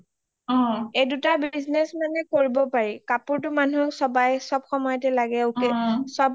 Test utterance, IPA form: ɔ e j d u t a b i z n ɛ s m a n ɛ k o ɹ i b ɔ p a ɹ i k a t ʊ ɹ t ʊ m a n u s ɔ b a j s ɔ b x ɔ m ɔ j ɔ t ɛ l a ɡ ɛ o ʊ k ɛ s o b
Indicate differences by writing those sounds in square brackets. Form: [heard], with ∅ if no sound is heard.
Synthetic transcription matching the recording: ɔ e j d u t a b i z n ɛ s m a n ɛ k o ɹ i b ɔ p a ɹ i k a [p] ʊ ɹ t ʊ m a n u s ɔ b a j s ɔ b x ɔ m ɔ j ɔ t ɛ l a ɡ ɛ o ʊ k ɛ s [ɔ] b